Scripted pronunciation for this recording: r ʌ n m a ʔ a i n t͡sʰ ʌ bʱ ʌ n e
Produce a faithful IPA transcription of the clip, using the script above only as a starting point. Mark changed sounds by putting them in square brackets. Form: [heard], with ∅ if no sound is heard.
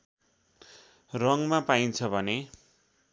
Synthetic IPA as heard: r ʌ [ŋ] m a [p] a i n t͡sʰ ʌ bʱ ʌ n e